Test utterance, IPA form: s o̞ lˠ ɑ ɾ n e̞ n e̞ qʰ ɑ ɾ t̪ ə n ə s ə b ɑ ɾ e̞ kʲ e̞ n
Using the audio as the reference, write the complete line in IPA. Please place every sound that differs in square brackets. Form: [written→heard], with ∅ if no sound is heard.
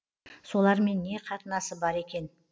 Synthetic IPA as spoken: s o̞ lˠ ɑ ɾ [n→m] e̞ [n→nː] e̞ qʰ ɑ [ɾ→∅] t̪ ə n [ə→ɑ] s ə b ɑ ɾ e̞ kʲ e̞ n

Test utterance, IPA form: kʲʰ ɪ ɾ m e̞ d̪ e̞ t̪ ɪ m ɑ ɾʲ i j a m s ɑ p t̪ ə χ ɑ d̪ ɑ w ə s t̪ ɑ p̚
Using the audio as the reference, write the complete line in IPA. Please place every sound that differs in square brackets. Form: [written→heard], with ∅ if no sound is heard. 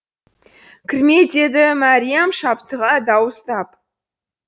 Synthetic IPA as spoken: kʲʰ ɪ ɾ m e̞ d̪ e̞ [t̪→d̪] ɪ m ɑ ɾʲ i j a m [s→ʃ] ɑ p t̪ ə [χ→ʁ] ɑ d̪ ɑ w ə s t̪ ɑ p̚

